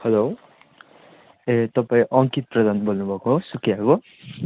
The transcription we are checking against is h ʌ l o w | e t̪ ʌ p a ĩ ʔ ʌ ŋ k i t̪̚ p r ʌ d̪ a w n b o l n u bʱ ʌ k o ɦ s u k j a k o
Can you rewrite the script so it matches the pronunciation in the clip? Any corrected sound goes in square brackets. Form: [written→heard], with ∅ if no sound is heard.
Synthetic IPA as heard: h ʌ l o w | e t̪ ʌ p a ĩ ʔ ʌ ŋ k i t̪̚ p r ʌ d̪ a [w→∅] n b o l n u bʱ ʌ k o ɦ s u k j a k o